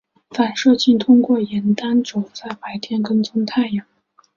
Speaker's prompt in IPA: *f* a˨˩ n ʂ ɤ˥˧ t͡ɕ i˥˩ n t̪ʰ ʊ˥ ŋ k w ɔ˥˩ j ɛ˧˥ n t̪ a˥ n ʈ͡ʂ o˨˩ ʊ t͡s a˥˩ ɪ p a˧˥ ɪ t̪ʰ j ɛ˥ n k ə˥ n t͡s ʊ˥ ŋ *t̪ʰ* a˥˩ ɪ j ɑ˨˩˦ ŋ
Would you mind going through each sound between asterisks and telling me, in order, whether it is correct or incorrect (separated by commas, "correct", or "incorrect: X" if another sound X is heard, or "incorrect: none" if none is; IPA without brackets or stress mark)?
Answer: correct, correct